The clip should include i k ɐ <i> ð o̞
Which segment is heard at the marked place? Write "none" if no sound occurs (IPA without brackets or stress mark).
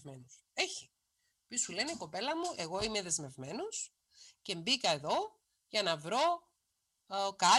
e